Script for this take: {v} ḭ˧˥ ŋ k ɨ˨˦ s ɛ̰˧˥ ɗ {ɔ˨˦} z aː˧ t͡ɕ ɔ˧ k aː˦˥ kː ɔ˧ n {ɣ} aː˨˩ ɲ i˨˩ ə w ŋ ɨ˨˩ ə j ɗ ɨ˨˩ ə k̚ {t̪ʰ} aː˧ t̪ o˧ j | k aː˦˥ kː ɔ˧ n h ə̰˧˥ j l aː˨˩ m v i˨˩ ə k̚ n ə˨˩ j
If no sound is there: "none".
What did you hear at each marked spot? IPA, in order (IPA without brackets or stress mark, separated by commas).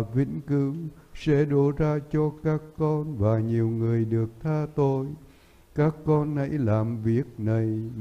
v, o˨˦, v, t̪ʰ